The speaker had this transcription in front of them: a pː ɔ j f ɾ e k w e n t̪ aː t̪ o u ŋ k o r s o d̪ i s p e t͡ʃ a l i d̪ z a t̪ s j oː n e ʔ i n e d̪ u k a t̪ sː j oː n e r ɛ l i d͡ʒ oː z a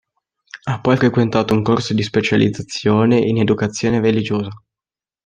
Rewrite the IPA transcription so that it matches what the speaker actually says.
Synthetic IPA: a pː ɔ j f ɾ e k w e n t̪ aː t̪ o u ŋ k o r s o d̪ i s p e t͡ʃ a l i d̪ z a t̪ sː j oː n e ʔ i n e d̪ u k a t̪ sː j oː n e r e l i d͡ʒ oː z a

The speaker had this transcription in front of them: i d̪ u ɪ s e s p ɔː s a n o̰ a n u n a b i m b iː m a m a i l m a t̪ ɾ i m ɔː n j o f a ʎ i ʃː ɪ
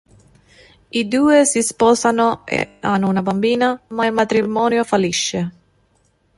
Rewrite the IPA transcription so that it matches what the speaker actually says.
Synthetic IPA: i d̪ uː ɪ s i s p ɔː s a n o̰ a n u n a b a m b iː n a m a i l m a t̪ ɾ i m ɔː n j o f a l i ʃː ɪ

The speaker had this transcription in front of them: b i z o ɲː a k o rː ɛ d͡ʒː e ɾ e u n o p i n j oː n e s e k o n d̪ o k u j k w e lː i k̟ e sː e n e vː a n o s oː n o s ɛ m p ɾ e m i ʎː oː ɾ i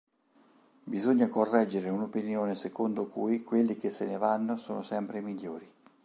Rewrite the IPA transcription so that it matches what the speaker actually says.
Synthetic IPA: b i z o ɲː a k o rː ɛ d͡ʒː e ɾ e u n o p i n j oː n e s e k o n d̪ o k u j k w e lː i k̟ e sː e n e v a nː o s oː n o s ɛ m p ɾ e m i ʎː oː ɾ i

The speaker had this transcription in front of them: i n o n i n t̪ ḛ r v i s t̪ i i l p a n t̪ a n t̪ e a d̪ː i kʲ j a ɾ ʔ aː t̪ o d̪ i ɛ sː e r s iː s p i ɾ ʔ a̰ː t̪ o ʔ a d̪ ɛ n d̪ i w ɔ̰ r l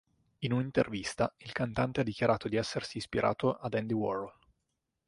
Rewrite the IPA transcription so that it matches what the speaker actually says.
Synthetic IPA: i n u n i n t̪ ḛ r v i s t̪ a i l k a n t̪ a n t̪ e a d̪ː i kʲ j a ɾ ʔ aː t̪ o d̪ i ɛ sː e r s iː s p i ɾ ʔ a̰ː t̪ o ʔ a d̪ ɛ n d̪ i w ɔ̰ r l

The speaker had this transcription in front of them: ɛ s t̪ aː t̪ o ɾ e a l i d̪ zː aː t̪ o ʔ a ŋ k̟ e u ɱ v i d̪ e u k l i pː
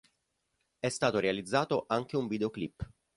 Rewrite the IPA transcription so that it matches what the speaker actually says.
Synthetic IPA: ɛ s t̪ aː t̪ o ɾ e a l i d̪ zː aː t̪ o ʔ a ŋ k̟ e u ɱ v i d̪ e o k l i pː

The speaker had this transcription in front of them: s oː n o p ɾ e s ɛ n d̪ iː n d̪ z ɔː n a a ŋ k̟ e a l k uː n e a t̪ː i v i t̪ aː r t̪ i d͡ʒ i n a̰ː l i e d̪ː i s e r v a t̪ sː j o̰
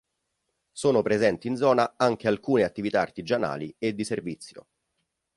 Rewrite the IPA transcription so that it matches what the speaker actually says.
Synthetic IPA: s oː n o p ɾ e z ɛ n t̪ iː n d̪ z ɔː n a a ŋ k̟ e a l k uː n e a t̪ː i v i t̪ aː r t̪ i d͡ʒ a n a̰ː l i e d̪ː i s e r v i t̪ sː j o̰

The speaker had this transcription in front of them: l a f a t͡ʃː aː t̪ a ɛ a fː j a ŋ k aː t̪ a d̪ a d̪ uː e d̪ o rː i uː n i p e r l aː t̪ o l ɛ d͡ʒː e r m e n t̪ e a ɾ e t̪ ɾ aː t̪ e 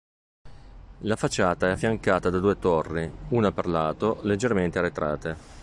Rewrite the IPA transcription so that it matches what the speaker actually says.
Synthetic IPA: l a f a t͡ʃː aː t̪ a ɛ a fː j a ŋ k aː t̪ a d̪ a d̪ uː e t̪ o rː i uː n a p e r l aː t̪ o l e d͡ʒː e r m e n t̪ e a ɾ e t̪ ɾ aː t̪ e

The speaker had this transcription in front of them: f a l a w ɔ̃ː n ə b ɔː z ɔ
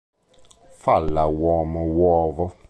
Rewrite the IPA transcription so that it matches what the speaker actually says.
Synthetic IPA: f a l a w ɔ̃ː m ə w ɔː v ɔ

